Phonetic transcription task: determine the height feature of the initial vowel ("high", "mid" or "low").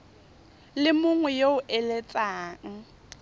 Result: high